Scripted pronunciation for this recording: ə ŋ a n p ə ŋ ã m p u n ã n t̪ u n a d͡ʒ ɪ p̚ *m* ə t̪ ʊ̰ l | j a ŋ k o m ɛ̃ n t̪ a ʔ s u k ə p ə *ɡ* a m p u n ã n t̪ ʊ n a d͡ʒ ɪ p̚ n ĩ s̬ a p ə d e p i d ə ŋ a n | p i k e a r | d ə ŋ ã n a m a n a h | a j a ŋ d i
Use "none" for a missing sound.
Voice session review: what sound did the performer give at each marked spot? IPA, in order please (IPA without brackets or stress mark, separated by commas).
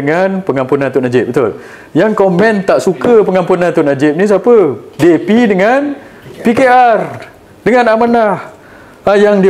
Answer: b, ŋ